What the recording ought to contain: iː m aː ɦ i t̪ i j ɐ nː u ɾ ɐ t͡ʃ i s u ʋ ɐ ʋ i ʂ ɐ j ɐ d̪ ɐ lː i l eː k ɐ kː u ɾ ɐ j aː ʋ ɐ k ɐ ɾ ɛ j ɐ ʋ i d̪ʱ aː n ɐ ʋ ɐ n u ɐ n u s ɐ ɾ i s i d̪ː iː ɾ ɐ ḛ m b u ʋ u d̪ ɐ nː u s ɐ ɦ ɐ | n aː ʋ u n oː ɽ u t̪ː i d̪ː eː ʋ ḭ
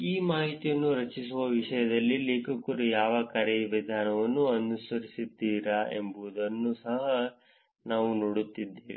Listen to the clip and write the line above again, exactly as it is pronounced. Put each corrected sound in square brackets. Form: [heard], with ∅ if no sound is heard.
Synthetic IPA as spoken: iː m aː ɦ i t̪ i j ɐ nː u ɾ ɐ t͡ʃ i s u ʋ ɐ ʋ i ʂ ɐ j ɐ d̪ ɐ lː i l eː k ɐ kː u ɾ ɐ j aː ʋ ɐ k ɐ ɾ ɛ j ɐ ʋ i d̪ʱ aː n ɐ ʋ ɐ [nː] u ɐ n u s ɐ ɾ i s i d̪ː iː ɾ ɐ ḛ m b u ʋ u d̪ ɐ nː u s ɐ ɦ ɐ | n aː ʋ u n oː ɽ u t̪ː i d̪ː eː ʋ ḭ